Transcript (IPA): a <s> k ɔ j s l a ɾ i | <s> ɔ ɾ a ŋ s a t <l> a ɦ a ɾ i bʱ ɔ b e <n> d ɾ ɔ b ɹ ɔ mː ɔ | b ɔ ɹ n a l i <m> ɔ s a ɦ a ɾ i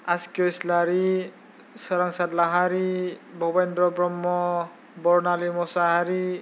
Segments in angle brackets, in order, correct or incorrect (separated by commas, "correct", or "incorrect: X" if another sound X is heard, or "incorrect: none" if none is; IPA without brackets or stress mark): correct, correct, correct, correct, correct